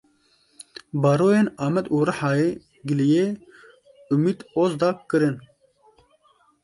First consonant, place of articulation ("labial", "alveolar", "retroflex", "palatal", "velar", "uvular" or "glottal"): labial